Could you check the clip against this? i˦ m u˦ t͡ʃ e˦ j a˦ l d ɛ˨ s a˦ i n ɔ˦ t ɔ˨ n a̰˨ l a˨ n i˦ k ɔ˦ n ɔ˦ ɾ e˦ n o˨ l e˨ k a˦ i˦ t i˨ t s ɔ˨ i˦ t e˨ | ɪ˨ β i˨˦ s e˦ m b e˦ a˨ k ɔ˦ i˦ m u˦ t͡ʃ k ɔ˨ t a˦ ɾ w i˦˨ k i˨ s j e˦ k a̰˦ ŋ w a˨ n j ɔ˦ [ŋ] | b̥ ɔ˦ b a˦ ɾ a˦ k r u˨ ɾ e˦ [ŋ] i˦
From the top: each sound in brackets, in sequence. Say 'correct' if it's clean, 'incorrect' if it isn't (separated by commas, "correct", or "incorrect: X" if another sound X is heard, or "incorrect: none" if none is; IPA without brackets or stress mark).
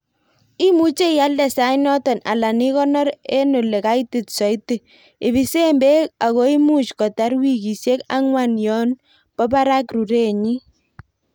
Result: incorrect: n, incorrect: ɲ